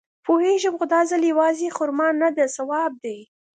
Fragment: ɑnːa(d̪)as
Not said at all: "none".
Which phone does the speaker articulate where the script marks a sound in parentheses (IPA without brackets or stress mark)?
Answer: d̪